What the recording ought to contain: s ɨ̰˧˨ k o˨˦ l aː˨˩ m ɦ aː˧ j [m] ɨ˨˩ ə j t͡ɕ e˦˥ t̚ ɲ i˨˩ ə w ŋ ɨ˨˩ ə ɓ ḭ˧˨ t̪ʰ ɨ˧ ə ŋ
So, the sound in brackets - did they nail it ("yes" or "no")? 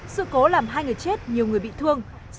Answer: no